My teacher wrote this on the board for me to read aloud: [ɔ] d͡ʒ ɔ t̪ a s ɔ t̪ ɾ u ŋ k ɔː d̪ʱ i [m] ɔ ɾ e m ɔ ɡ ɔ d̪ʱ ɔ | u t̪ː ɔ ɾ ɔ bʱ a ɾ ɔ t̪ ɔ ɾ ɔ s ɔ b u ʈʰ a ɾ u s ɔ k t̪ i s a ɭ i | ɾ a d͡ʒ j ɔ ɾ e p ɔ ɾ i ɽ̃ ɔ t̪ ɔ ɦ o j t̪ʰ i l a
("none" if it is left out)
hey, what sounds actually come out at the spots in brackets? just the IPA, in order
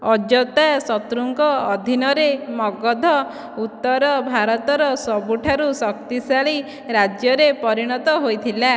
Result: ɔ, n

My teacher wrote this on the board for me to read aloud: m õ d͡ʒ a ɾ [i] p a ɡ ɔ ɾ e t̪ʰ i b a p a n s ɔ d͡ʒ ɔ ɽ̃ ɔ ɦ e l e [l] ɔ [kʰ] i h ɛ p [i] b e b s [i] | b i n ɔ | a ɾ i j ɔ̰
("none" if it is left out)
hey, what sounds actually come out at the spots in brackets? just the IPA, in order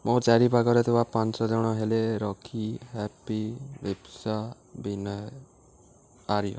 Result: i, ɾ, kʰ, i, a

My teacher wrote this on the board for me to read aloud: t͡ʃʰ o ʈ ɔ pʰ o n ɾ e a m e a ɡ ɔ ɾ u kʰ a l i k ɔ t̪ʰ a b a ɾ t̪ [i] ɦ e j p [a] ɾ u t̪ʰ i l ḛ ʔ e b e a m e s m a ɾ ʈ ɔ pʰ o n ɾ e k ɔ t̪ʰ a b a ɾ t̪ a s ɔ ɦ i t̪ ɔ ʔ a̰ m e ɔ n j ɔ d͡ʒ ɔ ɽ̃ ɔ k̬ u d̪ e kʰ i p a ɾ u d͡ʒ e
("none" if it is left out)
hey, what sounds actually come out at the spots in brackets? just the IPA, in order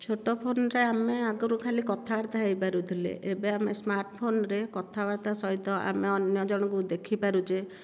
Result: a, a

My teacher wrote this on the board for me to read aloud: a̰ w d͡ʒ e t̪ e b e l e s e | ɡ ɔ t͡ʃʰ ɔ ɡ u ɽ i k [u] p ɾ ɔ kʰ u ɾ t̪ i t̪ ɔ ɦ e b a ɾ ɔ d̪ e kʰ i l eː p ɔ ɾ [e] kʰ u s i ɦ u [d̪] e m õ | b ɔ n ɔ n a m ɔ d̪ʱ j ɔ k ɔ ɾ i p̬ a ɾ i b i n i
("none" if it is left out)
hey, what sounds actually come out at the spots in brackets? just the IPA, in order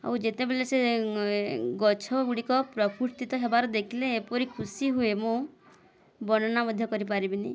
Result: ɔ, i, none

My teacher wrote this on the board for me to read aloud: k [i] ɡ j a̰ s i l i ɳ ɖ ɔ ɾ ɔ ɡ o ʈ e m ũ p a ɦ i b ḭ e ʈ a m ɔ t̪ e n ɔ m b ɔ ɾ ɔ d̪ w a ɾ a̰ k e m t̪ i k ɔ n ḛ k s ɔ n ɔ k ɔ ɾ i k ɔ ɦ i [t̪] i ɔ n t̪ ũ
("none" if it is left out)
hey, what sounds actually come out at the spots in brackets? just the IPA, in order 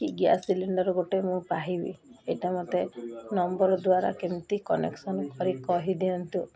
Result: i, d̪

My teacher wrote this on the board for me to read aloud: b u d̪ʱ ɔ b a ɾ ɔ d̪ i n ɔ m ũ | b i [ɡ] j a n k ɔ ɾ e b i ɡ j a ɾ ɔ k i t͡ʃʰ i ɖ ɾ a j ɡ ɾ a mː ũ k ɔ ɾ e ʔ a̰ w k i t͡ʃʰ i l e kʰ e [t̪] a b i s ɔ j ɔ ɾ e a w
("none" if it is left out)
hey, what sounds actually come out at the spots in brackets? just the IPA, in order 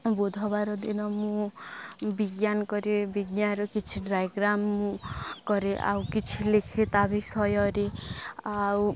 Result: ɡ, t̪

